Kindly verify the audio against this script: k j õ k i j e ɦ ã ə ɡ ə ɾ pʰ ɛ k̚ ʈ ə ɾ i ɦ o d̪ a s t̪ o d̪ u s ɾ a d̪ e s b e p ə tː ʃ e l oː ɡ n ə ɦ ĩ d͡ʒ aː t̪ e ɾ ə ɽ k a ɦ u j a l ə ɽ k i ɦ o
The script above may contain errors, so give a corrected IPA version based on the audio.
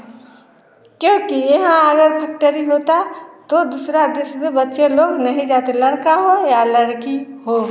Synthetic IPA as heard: k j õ k i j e ɦ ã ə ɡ ə ɾ pʰ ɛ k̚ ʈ ə ɾ i ɦ o t̪ a t̪ o d̪ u s ɾ a d̪ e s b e b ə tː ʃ e l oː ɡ n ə ɦ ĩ d͡ʒ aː t̪ e l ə ɽ k a ɦ o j a l ə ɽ k i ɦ o